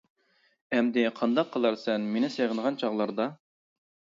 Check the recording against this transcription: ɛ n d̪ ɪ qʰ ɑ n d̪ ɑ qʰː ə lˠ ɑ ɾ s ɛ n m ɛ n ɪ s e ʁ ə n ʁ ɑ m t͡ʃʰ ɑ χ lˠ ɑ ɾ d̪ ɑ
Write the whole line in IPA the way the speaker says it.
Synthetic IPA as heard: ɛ m d̪ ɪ qʰ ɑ n d̪ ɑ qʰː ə lˠ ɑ ɾ s ɛ n m e n ɪ s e ʁ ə n ʁ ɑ n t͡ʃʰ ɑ ʁ lˠ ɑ ɾ d̪ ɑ